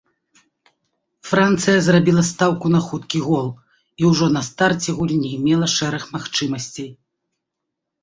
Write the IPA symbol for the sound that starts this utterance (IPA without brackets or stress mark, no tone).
f